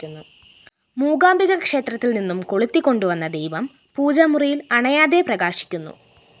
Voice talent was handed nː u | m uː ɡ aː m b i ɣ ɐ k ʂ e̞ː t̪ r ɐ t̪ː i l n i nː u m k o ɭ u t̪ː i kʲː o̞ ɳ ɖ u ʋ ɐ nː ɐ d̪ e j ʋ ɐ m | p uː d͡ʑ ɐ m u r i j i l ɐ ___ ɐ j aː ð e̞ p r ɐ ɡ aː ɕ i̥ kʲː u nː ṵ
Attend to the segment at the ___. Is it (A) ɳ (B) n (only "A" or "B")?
A